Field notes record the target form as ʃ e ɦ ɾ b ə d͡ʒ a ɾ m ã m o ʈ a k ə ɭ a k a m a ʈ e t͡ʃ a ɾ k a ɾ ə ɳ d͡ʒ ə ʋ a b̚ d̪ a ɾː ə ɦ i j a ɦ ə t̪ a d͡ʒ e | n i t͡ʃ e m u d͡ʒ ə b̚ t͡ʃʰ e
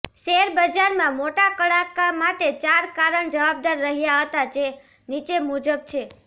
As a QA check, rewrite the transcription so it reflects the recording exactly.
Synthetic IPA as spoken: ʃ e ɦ ɾ b ə d͡ʒ a ɾ m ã m o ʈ a k ə ɭ a k a m a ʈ e t͡ʃ a ɾ k a ɾ ə ɳ d͡ʒ ə ʋ a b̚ d̪ a ɾː ə ɦ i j a ɦ ə t̪ a d͡ʒ e | n i t͡ʃ e m u d͡ʒ ə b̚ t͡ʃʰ e